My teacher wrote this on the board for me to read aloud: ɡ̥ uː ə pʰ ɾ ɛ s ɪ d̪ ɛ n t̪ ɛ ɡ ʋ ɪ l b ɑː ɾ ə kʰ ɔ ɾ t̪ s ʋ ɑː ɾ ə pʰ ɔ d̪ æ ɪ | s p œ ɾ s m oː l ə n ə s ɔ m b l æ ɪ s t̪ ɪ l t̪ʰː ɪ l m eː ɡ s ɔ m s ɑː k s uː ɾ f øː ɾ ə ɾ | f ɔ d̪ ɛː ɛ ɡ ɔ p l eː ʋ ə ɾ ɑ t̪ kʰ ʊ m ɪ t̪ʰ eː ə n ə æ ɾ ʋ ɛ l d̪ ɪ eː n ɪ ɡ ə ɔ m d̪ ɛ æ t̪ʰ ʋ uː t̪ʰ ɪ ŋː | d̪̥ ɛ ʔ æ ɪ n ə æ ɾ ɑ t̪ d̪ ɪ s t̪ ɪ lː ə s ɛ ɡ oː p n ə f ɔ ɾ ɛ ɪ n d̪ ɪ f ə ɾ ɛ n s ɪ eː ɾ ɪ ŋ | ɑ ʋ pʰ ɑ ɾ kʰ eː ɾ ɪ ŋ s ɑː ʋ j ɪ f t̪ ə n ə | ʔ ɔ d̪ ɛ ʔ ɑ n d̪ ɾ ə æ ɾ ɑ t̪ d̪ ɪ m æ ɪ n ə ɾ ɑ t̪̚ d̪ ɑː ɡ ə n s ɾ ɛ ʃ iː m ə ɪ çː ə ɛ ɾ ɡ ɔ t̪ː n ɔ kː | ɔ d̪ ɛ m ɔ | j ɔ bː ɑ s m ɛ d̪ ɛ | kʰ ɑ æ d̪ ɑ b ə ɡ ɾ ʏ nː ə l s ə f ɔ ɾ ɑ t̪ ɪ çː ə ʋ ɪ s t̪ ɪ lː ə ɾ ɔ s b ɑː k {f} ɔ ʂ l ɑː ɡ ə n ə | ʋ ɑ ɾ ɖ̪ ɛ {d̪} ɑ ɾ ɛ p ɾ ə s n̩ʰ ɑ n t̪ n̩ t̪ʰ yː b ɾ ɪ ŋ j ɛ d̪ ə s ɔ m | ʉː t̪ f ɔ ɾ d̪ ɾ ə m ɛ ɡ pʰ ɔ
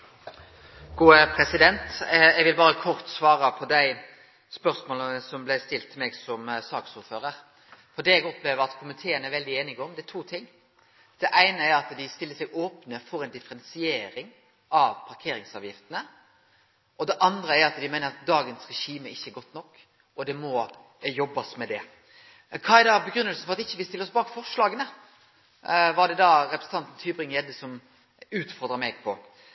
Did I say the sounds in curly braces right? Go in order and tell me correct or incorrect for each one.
correct, correct

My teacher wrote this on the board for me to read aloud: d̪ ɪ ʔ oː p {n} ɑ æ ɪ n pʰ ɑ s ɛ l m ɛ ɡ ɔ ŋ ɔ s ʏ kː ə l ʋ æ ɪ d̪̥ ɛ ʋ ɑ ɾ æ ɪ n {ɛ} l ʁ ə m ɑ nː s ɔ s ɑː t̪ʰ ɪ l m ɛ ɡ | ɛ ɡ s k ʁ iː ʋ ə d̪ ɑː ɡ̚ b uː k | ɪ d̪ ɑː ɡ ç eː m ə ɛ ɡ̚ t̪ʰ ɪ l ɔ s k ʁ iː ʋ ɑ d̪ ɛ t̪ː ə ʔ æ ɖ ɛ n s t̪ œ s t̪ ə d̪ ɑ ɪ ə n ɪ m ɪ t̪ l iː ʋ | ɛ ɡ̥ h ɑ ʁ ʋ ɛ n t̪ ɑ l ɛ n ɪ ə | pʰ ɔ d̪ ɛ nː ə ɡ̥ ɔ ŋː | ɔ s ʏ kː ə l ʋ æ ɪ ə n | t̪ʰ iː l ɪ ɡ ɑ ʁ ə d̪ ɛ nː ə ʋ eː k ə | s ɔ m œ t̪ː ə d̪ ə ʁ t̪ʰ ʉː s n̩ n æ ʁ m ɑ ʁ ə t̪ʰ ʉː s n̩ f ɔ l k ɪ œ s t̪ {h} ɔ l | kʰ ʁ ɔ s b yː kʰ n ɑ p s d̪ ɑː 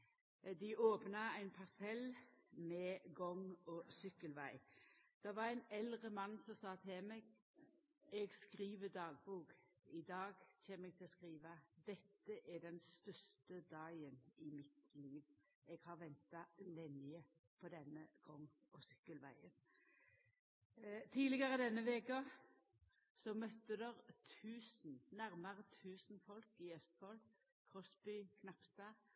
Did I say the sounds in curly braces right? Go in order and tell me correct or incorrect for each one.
correct, correct, incorrect: f

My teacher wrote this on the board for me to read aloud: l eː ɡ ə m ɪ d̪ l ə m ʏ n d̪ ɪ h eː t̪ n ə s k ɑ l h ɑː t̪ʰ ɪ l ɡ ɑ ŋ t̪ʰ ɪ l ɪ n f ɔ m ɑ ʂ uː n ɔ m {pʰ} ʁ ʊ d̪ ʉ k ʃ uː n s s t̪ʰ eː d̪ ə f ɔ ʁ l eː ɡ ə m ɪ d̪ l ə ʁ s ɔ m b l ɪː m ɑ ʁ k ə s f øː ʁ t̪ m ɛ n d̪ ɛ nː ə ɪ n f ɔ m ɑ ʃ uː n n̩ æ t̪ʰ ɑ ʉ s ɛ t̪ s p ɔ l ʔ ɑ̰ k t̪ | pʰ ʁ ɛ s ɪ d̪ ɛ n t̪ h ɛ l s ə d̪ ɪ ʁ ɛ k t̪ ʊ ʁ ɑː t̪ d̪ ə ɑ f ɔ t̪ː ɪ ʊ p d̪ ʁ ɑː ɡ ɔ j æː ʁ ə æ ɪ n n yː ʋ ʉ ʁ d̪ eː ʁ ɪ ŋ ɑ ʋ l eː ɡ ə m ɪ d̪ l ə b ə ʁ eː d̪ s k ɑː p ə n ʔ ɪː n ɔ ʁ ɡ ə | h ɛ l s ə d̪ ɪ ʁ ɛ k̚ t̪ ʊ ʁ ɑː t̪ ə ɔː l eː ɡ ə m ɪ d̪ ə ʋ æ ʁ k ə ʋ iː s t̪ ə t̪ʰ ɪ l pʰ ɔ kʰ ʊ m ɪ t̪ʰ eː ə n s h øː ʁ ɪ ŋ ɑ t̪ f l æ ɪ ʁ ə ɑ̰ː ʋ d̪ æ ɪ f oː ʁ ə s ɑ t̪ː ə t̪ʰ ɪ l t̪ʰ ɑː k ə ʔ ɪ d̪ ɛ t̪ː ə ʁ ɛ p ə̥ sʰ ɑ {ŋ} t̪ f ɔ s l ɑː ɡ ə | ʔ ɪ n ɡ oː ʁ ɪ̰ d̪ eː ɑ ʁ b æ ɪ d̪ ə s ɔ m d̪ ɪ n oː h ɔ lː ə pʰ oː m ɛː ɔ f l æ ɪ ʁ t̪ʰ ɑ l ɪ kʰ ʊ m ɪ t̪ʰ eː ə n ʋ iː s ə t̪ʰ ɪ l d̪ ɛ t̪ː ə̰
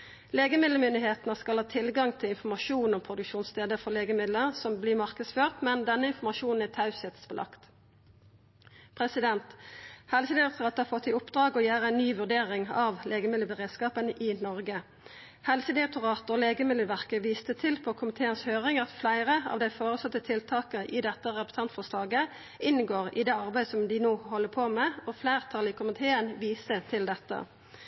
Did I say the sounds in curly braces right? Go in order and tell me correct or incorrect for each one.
correct, incorrect: n

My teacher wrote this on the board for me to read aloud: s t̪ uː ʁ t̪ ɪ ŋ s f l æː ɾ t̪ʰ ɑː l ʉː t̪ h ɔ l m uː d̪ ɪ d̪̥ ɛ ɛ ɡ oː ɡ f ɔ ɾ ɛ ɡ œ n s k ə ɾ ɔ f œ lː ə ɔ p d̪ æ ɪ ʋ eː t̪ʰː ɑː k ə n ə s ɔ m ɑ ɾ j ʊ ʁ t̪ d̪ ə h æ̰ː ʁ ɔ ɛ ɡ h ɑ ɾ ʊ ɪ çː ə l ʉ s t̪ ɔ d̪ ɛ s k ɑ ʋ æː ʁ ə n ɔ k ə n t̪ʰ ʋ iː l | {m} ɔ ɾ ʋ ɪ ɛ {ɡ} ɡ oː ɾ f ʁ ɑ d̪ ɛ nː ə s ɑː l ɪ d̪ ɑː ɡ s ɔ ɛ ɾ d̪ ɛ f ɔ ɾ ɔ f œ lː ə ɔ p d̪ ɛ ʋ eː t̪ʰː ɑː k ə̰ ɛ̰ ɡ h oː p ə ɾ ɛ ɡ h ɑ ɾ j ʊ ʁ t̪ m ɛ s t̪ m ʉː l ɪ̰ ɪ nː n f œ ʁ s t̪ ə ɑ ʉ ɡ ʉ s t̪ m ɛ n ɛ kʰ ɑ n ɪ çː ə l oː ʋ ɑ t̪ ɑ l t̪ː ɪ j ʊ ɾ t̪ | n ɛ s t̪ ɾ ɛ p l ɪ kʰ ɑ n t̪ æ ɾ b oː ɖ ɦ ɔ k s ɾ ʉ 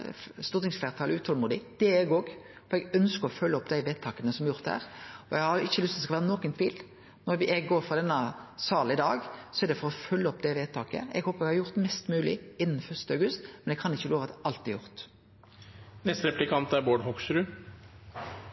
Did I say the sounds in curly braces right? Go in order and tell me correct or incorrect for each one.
incorrect: n, correct

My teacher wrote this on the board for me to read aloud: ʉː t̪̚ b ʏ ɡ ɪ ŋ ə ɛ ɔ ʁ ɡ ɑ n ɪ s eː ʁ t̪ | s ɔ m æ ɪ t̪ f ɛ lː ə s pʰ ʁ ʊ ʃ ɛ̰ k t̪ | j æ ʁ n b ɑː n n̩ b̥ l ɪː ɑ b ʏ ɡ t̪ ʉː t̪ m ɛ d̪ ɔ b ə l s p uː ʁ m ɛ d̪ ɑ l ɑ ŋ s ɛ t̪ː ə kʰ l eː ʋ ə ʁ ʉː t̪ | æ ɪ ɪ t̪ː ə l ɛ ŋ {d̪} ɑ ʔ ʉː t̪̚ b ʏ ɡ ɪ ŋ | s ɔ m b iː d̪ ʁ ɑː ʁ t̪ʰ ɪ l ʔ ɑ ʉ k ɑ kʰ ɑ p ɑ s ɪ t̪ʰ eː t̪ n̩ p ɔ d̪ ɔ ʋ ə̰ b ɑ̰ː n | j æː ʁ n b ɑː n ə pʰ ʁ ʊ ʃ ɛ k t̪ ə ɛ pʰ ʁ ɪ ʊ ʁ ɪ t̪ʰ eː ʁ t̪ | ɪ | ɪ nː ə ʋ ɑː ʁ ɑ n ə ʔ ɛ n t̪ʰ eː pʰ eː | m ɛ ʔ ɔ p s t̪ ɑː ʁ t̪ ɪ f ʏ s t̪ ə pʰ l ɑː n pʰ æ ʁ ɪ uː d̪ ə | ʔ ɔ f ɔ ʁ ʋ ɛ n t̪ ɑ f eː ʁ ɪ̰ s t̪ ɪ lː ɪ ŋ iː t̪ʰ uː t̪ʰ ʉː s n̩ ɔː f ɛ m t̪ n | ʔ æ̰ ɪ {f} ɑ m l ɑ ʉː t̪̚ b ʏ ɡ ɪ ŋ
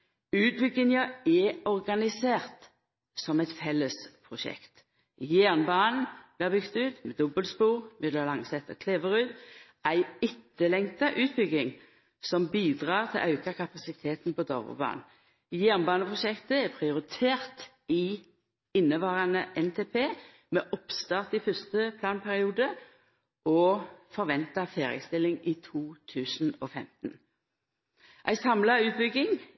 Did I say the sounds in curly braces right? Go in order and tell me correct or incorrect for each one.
incorrect: t̪, incorrect: s

